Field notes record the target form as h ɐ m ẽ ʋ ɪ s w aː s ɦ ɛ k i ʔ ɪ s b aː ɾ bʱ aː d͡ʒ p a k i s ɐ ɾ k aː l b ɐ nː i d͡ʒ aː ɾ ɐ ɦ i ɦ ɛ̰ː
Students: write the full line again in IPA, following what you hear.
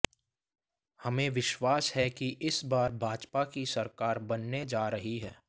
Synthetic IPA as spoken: h ɐ m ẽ ʋ ɪ ʃ w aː s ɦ ɛ k i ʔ ɪ s b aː ɾ bʱ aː d͡ʒ p a k i s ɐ ɾ k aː ɾ b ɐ nː e d͡ʒ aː ɾ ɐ ɦ i ɦ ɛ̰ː

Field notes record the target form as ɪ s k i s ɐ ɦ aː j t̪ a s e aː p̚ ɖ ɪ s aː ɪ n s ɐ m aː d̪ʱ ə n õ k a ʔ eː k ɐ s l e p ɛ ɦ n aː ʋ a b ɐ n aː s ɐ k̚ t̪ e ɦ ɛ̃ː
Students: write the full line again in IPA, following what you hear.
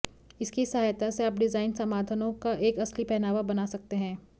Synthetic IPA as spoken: ɪ s k i s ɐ ɦ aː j t̪ a s e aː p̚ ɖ ɪ z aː ɪ n s ɐ m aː d̪ʱ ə n õ k a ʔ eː k ɐ s l i p ɛ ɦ n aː ʋ a b ɐ n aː s ɐ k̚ t̪ e ɦ ɛ̃ː

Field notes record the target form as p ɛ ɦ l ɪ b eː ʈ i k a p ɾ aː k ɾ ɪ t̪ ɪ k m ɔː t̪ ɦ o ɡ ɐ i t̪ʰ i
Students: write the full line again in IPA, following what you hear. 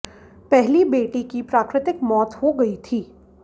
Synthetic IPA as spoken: p ɛ ɦ l i b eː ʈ i k i p ɾ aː k ɾ ɪ t̪ ɪ k m ɔː t̪ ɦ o ɡ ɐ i t̪ʰ iː

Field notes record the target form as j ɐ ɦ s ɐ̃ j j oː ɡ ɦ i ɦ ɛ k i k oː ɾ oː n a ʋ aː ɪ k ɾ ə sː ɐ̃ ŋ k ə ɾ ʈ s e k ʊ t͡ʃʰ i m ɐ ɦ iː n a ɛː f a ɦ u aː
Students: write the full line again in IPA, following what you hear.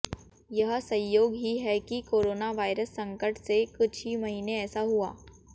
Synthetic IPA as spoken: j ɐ ɦ s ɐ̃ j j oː ɡ ɦ i ɦ ɛ k i k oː ɾ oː n a ʋ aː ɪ ɾ ə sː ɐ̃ ŋ k ə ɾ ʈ s e k ʊ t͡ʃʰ i m ɐ ɦ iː n e ɛː s a ɦ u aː

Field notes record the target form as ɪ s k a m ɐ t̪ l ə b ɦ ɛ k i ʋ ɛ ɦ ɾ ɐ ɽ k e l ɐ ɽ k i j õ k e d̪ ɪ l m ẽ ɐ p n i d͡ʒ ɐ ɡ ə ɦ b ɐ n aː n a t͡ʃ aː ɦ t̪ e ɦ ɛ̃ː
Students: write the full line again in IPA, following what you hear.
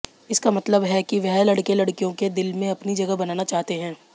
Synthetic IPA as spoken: ɪ s k a m ɐ t̪ l ə b ɦ ɛ k i ʋ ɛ ɦ l ɐ ɽ k e l ɐ ɽ k i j õ k e d̪ ɪ l m ẽ ɐ p n i d͡ʒ ɐ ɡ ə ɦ b ɐ n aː n a t͡ʃ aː ɦ t̪ e ɦ ɛ̃ː

